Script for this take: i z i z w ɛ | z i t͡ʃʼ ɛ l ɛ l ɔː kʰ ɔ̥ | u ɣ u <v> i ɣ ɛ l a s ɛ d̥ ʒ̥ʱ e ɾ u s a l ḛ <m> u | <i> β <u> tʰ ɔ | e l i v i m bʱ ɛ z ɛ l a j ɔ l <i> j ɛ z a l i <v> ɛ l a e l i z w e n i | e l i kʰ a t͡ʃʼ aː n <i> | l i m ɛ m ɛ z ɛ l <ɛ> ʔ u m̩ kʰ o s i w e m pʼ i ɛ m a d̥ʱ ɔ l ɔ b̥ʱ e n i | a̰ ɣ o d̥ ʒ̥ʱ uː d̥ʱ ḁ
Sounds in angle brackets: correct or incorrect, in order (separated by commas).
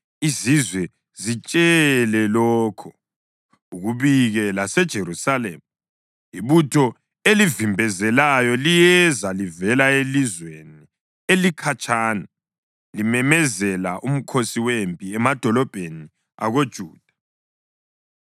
incorrect, correct, correct, correct, correct, correct, incorrect, incorrect